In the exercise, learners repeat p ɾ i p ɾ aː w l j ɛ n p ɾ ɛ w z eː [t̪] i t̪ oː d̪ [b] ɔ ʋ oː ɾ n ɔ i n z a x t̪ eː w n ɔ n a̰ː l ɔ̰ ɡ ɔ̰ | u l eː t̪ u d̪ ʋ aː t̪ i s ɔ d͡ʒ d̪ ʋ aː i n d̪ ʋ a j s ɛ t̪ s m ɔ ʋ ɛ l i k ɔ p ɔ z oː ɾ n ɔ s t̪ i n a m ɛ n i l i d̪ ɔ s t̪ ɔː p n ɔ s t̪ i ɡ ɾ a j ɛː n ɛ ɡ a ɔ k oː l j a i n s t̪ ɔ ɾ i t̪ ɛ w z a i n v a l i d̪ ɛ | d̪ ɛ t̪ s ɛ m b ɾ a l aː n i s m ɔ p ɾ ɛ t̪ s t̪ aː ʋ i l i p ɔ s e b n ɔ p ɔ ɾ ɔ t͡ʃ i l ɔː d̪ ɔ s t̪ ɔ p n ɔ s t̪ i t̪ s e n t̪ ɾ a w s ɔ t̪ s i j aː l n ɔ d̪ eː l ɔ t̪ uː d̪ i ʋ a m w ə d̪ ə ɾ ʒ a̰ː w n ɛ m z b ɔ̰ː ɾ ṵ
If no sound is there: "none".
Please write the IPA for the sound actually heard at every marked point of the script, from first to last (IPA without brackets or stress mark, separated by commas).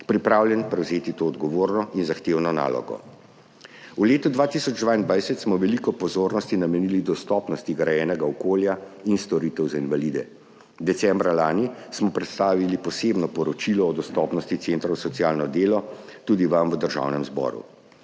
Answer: t̪, ɡ